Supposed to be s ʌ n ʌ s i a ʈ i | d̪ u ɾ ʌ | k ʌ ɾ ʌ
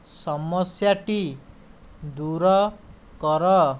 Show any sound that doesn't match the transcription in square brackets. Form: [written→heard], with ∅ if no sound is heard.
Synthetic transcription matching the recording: s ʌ [n→m] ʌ s [i→j] a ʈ i | d̪ u ɾ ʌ | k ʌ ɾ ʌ